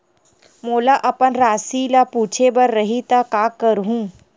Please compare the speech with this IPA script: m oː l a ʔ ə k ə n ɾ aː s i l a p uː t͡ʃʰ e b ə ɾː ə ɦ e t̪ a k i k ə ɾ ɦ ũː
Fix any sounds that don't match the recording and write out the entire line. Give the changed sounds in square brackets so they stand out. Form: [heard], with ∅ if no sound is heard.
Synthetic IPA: m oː l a ʔ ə [p] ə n ɾ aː s i l a p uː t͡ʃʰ e b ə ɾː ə ɦ [i] t̪ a k [a] k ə ɾ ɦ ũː